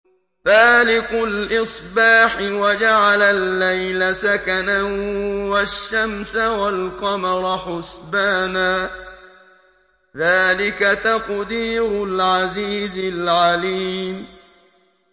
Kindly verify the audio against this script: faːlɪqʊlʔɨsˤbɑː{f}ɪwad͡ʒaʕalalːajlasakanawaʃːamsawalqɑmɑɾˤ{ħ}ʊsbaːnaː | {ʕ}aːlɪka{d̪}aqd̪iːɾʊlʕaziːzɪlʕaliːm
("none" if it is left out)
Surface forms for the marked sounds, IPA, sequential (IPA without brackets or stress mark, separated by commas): ħ, ħ, ð, t̪